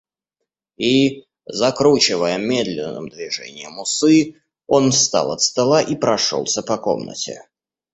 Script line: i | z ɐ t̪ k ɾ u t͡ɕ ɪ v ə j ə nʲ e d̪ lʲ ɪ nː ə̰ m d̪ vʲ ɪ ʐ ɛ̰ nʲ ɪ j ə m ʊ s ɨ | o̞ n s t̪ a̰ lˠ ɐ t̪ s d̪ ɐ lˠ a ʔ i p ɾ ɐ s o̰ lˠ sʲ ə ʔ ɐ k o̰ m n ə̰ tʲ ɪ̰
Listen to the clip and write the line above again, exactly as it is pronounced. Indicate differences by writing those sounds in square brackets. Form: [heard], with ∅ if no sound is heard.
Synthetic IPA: i | z ɐ [∅] k ɾ u t͡ɕ ɪ v ə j ə [mʲ] e d̪ lʲ ɪ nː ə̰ m d̪ vʲ ɪ ʐ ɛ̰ nʲ ɪ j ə m ʊ s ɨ | o̞ n s t̪ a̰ lˠ ɐ t̪ s [t̪] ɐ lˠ a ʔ i p ɾ ɐ [ʂ] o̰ lˠ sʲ ə [p] ɐ k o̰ m n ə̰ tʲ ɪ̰